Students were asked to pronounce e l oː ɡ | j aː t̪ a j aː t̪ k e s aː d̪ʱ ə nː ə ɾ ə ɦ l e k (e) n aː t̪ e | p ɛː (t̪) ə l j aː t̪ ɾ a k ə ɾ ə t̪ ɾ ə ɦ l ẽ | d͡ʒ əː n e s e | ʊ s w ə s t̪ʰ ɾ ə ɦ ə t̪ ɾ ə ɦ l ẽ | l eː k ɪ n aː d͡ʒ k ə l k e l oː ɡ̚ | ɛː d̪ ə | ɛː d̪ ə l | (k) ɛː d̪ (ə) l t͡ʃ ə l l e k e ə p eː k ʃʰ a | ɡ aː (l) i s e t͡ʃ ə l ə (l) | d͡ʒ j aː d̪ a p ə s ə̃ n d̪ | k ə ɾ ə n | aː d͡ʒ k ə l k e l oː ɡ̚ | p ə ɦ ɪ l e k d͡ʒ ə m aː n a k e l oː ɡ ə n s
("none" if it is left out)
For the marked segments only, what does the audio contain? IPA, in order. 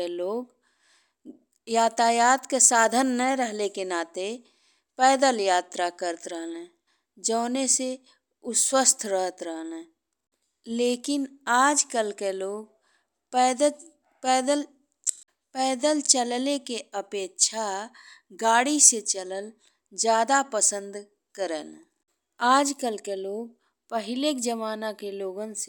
e, d̪, p, ə, ɽ, l

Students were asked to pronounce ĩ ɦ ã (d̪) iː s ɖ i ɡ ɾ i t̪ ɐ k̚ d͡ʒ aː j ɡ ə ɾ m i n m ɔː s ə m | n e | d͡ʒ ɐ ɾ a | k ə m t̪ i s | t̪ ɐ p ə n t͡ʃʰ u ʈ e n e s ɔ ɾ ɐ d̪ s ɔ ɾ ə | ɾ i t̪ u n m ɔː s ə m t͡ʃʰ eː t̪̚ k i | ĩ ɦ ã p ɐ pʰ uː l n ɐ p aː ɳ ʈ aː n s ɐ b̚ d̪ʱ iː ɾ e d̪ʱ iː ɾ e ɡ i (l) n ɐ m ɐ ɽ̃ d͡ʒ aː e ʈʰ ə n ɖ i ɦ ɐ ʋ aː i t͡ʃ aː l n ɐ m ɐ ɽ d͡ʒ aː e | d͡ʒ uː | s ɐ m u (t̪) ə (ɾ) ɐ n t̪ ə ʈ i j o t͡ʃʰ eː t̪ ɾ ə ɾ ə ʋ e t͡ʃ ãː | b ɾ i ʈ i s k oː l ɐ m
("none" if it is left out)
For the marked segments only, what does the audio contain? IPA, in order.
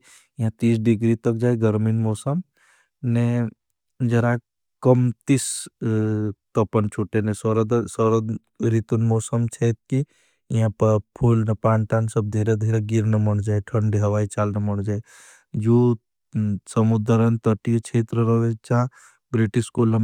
t̪, ɾ, d̪, ɾ

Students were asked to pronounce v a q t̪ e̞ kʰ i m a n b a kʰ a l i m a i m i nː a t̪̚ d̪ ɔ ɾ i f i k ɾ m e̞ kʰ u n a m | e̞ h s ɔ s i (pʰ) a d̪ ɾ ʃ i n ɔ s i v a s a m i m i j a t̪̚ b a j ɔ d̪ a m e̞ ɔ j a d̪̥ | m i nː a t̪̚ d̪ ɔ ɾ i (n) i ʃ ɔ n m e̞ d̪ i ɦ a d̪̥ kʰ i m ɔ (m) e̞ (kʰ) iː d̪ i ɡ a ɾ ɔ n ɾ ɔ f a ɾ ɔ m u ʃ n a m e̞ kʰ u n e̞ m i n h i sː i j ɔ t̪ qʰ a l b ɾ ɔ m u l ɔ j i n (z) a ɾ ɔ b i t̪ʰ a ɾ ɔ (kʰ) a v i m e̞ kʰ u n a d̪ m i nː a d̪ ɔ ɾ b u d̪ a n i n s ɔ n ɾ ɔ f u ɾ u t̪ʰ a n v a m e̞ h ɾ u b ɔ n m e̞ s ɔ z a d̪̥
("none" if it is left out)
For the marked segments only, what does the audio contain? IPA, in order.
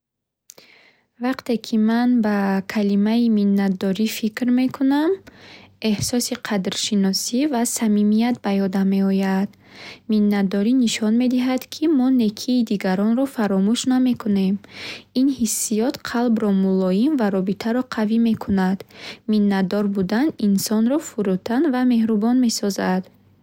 qʰ, n, n, kʰ, v, qʰ

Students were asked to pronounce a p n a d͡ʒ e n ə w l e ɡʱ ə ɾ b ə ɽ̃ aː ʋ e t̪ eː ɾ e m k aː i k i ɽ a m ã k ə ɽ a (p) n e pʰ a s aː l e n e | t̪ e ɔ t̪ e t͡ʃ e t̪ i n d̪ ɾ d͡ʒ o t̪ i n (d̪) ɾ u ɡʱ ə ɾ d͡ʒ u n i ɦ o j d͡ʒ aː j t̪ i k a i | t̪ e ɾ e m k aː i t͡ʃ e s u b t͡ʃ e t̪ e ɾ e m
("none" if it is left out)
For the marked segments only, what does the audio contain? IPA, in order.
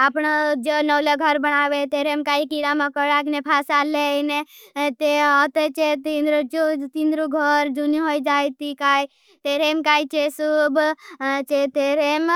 k, d̪

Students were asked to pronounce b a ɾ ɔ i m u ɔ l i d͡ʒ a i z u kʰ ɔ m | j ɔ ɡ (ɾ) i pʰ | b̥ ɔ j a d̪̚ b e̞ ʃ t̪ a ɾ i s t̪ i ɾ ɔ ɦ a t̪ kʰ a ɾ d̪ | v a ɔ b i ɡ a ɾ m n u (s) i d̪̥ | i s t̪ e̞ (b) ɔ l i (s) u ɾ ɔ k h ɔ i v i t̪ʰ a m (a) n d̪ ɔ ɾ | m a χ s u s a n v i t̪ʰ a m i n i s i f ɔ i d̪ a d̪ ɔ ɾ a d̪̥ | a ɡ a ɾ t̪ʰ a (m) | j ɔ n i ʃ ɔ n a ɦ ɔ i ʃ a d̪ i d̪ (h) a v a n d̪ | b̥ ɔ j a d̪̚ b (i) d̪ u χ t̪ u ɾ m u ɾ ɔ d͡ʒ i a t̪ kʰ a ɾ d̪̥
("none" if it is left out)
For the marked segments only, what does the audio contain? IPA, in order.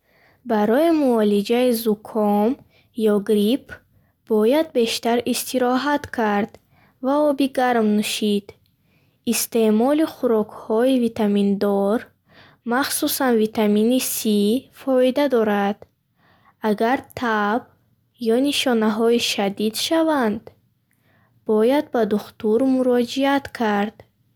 ɾ, ʃ, m, χ, i, b, ʃ, a

